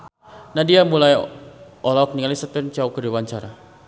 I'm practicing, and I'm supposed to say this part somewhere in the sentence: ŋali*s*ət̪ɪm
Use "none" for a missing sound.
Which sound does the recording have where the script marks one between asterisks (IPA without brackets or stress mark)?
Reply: s